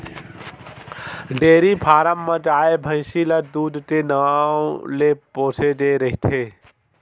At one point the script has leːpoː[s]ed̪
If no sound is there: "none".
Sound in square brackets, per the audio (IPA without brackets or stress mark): s